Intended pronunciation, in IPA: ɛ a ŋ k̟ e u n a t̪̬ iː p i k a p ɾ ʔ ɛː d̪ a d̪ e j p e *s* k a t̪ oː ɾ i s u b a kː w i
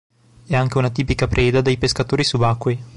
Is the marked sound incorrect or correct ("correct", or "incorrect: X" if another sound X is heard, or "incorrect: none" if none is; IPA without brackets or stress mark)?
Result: correct